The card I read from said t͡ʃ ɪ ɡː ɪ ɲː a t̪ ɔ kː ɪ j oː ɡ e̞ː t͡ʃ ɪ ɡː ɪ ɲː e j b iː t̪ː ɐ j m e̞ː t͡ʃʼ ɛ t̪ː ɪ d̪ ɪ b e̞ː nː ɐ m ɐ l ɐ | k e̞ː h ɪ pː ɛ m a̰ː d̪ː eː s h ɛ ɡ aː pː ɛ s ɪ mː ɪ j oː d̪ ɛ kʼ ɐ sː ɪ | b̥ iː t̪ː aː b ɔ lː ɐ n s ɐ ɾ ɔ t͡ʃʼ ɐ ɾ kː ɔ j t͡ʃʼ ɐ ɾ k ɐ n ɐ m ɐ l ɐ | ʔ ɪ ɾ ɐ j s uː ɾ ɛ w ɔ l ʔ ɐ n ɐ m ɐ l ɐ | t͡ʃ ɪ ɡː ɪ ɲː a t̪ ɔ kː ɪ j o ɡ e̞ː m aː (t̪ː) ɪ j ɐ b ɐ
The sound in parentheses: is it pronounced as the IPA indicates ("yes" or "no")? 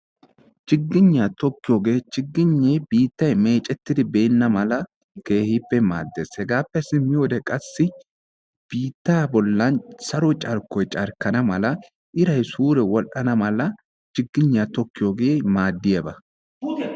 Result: no